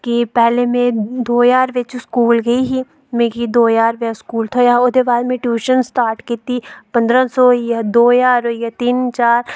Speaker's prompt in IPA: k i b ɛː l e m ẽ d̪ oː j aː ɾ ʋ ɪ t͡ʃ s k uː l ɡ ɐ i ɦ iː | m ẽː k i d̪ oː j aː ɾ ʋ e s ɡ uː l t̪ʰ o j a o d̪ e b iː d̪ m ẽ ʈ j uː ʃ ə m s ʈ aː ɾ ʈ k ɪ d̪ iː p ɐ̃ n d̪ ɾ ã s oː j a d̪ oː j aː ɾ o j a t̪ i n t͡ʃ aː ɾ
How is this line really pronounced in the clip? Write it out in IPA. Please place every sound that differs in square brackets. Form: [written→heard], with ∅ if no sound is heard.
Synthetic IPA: k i [b→p] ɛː l e m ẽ d̪ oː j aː ɾ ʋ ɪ t͡ʃ s k uː l ɡ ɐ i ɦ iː | m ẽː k i d̪ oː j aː ɾ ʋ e s [ɡ→k] uː l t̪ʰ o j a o d̪ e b [iː→aː] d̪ m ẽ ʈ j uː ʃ ə [m→n] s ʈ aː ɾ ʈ k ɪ [d̪→t̪] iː p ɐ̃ n d̪ ɾ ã s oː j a d̪ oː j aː ɾ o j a t̪ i n t͡ʃ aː ɾ